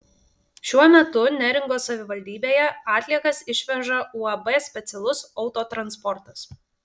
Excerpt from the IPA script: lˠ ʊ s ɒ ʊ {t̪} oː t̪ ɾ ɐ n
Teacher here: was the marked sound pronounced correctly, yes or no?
yes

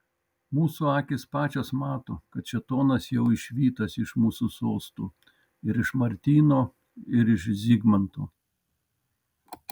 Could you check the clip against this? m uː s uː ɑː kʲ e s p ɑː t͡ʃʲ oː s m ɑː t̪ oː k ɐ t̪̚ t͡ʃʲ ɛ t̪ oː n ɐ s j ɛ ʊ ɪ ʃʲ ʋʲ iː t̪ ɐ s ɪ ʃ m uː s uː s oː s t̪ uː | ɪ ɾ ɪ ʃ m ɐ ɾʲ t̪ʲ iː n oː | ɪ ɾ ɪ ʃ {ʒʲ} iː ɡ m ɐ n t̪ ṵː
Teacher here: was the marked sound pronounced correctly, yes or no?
no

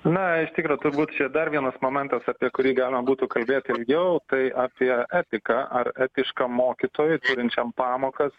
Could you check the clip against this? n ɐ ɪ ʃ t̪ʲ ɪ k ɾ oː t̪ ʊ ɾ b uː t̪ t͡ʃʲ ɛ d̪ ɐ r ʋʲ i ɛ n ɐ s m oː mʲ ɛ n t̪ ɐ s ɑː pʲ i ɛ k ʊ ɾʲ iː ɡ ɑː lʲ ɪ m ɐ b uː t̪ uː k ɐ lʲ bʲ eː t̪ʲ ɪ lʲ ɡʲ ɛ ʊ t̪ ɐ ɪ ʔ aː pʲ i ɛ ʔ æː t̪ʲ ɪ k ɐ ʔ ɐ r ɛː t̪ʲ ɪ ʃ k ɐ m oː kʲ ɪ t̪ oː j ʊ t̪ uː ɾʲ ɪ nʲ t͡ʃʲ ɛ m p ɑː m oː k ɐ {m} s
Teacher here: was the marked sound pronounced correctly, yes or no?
no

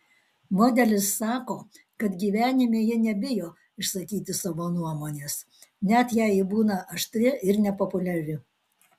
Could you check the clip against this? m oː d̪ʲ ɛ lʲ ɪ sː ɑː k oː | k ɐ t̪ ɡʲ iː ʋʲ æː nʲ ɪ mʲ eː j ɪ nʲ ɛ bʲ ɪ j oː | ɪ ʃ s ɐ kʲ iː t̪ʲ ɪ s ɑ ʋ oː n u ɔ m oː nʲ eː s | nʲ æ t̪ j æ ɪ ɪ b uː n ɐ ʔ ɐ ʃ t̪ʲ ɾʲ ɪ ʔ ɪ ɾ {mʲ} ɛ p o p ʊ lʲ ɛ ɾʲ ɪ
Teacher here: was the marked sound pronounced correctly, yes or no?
no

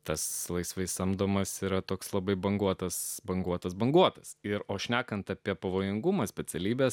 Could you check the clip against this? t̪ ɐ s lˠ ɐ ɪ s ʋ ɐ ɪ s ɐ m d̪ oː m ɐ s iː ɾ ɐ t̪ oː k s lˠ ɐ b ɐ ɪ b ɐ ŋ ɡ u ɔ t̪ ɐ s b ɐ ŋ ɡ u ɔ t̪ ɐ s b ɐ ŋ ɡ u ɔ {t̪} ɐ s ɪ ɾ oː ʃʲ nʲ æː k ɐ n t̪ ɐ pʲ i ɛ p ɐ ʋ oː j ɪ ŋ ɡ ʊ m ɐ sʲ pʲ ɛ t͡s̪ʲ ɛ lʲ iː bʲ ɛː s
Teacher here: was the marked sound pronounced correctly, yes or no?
yes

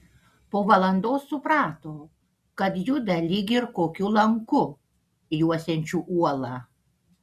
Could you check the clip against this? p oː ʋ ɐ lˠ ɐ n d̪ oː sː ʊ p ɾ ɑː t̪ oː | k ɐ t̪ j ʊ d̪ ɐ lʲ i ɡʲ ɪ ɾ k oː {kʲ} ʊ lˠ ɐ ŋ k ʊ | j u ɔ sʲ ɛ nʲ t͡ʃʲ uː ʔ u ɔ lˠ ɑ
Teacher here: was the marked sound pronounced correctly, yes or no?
yes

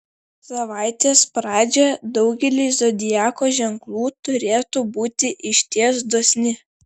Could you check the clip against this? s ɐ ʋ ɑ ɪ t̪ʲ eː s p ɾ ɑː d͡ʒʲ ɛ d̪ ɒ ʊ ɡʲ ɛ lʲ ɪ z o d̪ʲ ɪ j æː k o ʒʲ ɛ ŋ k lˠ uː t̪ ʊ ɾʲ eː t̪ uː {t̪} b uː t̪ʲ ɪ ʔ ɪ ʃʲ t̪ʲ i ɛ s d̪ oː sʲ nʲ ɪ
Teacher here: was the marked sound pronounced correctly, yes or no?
no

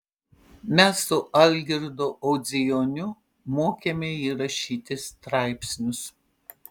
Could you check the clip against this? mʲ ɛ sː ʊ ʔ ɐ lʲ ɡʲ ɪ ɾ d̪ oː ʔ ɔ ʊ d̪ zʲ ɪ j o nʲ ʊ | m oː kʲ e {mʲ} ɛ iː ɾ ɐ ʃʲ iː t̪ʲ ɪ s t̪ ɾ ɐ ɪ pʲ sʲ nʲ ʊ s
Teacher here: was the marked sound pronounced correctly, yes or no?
yes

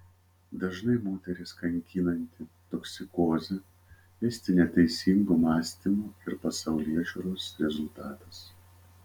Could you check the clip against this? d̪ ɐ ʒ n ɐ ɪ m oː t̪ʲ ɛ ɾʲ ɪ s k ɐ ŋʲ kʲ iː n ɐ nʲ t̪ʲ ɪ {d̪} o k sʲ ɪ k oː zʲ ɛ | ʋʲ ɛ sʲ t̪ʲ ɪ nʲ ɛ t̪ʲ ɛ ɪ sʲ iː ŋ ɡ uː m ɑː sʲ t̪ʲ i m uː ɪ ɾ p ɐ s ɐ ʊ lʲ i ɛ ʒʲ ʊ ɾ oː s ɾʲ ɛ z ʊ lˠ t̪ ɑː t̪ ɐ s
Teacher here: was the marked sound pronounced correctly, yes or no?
no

